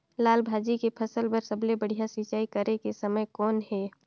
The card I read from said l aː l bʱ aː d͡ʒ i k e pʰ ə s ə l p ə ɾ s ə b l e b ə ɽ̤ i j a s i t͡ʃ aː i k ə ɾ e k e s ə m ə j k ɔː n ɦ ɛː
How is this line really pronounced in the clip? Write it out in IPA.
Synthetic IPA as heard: l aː l bʱ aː d͡ʒ i k e pʰ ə s ə l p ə ɾ s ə b l e b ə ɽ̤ i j a s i t͡ʃ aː i k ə ɾ e k e s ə m ə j k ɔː n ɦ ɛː